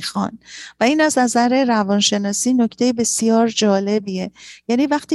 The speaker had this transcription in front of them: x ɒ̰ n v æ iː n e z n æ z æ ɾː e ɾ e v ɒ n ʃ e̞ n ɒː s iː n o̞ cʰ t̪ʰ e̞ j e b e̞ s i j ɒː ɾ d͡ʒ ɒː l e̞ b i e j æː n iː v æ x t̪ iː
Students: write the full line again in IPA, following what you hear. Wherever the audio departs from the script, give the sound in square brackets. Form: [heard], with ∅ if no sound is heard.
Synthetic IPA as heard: x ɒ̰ n v æ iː n [æ] z n æ z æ [ɾ] e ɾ [æ] v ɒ n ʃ e̞ n ɒː s iː n o̞ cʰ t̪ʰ e̞ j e b e̞ s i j ɒː ɾ d͡ʒ ɒː l e̞ b i e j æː n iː v æ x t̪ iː